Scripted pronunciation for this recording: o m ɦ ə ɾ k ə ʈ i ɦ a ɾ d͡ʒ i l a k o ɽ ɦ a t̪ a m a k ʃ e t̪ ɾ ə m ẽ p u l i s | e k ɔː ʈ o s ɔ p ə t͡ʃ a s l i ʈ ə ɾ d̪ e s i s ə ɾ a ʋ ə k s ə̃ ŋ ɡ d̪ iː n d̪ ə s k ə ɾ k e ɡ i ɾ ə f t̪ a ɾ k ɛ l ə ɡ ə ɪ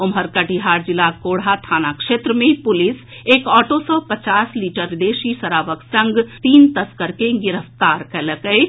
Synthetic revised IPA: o m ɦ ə ɾ k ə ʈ i ɦ a ɾ d͡ʒ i l a k o ɽ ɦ a t̪ʰ a n a k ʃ e t̪ ɾ ə m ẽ p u l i s | e k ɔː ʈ o s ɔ p ə t͡ʃ a s l i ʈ ə ɾ d̪ e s i s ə ɾ a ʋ ə k s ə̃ ŋ ɡ t̪ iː n t̪ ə s k ə ɾ k e ɡ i ɾ ə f t̪ a ɾ k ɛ l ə k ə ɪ